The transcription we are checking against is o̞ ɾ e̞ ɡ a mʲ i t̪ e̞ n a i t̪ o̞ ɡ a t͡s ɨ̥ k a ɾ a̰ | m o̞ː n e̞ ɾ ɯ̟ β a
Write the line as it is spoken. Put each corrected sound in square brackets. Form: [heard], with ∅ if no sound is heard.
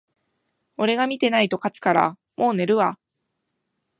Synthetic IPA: o̞ ɾ e̞ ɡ a mʲ i t̪ e̞ n a i t̪ o̞ [k] a t͡s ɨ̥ k a ɾ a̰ | m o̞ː n e̞ ɾ ɯ̟ β a